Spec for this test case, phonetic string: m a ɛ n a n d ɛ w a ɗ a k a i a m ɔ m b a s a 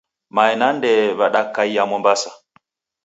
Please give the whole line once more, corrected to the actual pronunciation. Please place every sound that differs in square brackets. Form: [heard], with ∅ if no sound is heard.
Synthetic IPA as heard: m a ɛ n a n d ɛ [β] a ɗ a k a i a m ɔ m b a s a